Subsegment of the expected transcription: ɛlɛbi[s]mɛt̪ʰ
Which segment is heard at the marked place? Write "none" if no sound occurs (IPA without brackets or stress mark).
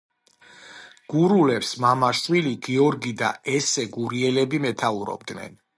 none